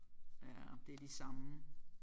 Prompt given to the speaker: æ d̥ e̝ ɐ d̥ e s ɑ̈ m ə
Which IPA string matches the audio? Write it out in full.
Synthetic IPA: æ d̥ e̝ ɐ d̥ i s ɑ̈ m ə

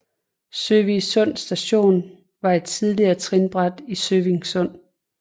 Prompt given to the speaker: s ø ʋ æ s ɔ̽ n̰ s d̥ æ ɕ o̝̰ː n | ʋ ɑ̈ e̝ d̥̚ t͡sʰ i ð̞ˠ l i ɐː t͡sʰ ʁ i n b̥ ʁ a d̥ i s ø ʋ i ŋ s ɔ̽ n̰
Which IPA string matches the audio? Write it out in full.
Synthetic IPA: s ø ʋ i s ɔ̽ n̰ s d̥ æ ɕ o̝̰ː n | ʋ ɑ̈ e̝ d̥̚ t͡sʰ i ð̞ˠ l i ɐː t͡sʰ ʁ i n b̥ ʁ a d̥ i s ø ʋ i ŋ s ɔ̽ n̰

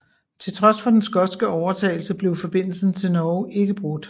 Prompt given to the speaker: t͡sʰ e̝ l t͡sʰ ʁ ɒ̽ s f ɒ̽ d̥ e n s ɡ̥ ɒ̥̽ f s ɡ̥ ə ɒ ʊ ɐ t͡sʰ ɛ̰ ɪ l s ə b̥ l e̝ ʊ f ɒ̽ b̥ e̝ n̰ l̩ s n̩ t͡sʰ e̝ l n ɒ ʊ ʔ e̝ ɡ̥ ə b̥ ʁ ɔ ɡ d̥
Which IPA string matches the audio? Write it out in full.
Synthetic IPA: t͡sʰ e̝ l t͡sʰ ʁ ɒ̽ s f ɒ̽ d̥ e n s ɡ̥ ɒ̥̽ s ɡ̥ ə ɒ ʊ ɐ t͡sʰ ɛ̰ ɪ l s ə b̥ l e̝ ʊ f ɒ̽ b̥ e̝ n̰ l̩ s n̩ t͡sʰ e̝ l n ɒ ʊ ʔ e̝ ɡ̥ ə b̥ ʁ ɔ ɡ d̥

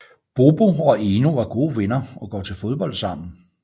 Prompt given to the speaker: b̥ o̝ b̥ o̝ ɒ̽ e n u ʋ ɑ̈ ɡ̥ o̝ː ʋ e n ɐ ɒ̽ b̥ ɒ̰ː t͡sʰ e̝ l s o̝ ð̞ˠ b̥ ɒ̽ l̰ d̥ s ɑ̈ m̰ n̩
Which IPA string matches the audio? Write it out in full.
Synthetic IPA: b̥ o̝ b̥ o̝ ɒ̽ e n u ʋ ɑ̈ ɡ̥ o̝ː ʋ e n ɐ ɒ̽ ɡ̥ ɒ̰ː t͡sʰ e̝ l f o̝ ð̞ˠ b̥ ɒ̽ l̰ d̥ s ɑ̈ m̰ n̩

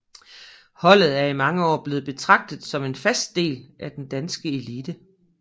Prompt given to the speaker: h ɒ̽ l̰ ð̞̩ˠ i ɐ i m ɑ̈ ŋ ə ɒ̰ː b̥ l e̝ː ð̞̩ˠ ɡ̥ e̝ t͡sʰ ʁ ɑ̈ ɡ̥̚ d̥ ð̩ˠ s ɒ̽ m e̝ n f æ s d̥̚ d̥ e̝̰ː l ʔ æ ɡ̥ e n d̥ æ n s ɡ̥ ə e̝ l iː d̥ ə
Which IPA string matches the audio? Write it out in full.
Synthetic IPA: h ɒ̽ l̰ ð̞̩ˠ æ ɐ i m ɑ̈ ŋ ə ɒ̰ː b̥ l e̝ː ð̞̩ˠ b̥ e̝ t͡sʰ ʁ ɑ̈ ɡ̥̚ d̥ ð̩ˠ s ɒ̽ m e̝ n f æ s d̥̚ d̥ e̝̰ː l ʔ æ d̥ e n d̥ æ n s ɡ̥ ə e̝ l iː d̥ ə

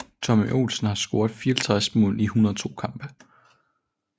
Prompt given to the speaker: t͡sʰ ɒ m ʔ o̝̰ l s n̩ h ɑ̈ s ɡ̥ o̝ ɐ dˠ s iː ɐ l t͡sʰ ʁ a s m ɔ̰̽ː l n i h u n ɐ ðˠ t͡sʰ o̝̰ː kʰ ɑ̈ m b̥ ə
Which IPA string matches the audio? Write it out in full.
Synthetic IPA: t͡sʰ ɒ m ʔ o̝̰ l s n̩ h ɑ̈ s ɡ̥ o̝ ɐ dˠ f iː ɐ l t͡sʰ ʁ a s m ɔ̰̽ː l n i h u n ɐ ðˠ t͡sʰ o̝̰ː kʰ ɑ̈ m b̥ ə

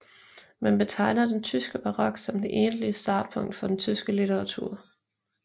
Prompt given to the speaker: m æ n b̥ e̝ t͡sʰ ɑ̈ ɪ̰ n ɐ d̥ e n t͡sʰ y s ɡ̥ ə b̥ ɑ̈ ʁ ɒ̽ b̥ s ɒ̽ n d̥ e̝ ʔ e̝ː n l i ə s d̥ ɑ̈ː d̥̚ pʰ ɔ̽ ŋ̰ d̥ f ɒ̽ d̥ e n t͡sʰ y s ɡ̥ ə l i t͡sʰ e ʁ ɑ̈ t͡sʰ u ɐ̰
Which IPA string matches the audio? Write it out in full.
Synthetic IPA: m æ n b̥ e̝ t͡sʰ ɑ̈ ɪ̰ n ɐ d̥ e n t͡sʰ y s ɡ̥ ə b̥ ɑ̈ ʁ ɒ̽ ɡ̥ s ɒ̽ m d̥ e̝ ʔ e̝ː n l i ə s d̥ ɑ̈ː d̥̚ pʰ ɔ̽ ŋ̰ d̥ f ɒ̽ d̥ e n t͡sʰ y s ɡ̥ ə l i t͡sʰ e ʁ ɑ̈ t͡sʰ u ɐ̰

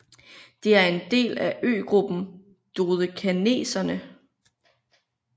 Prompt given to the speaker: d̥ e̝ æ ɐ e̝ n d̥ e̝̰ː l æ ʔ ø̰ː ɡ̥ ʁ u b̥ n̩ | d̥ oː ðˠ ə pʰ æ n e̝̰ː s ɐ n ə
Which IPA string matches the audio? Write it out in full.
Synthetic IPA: d̥ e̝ æ ɐ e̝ n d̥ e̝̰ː l æ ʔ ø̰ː ɡ̥ ʁ u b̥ n̩ | d̥ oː ðˠ ə kʰ æ n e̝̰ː s ɐ n ə

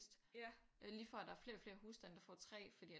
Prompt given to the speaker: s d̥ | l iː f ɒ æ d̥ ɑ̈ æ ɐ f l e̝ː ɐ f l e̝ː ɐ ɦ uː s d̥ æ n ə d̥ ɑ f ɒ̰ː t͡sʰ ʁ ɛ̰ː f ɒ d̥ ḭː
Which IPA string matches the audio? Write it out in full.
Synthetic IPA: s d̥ | l iː f ɒ æ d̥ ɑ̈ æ ɐ f l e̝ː ɐ f l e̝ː ɐ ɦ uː s d̥ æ n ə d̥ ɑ f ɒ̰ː t͡sʰ ʁ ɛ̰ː f ɒ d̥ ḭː

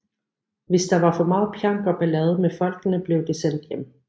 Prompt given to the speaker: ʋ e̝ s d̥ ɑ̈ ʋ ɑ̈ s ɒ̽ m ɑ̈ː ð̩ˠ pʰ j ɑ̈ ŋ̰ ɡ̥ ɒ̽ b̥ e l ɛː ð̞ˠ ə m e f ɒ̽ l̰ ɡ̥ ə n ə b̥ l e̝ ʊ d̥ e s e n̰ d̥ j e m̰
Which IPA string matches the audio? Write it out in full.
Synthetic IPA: ʋ e̝ s d̥ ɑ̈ ʋ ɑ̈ f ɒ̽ m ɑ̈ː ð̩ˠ pʰ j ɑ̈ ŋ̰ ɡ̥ ɒ̽ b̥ æ l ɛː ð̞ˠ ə m e f ɒ̽ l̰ ɡ̥ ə n ə b̥ l e̝ ʊ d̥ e s e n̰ d̥ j e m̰

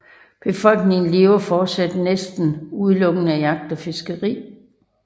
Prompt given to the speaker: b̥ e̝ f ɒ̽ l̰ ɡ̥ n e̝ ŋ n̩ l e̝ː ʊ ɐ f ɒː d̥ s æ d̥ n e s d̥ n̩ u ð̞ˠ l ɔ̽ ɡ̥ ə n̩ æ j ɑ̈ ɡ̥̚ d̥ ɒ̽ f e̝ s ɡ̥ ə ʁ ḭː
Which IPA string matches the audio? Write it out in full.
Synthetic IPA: b̥ e̝ f ɒ̽ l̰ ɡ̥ n e̝ ŋ n̩ l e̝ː ʊ ɐ f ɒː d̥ s æ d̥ n e s d̥ n̩ u ð̞ˠ l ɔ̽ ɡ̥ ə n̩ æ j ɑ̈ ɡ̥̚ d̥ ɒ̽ f e̝ s ɡ̥ ə ʁ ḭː

